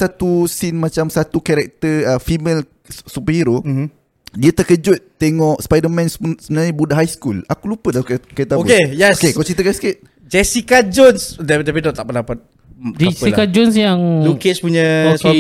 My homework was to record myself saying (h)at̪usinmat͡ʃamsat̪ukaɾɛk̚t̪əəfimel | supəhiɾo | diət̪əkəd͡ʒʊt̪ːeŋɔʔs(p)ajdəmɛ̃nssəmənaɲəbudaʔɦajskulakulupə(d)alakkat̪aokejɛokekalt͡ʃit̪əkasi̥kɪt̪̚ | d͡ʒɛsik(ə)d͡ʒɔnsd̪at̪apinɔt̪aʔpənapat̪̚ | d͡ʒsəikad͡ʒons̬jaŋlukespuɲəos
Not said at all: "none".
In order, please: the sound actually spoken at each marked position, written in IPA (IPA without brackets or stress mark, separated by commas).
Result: s, p, d, a